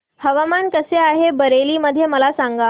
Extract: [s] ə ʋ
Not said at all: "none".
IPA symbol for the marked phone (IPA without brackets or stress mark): h